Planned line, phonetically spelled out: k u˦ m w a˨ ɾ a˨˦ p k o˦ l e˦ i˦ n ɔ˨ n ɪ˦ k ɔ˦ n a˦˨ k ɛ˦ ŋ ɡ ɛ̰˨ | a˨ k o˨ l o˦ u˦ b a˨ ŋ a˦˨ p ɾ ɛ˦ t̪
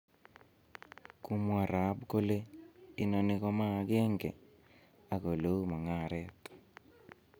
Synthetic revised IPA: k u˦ m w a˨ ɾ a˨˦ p k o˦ l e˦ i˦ n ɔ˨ n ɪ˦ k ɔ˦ m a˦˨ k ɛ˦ ŋ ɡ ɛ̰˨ | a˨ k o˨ l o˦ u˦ m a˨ ŋ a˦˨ ɾ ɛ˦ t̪